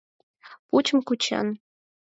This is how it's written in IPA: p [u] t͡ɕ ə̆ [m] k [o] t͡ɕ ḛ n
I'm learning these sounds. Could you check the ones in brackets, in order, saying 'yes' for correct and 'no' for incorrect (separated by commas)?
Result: yes, yes, no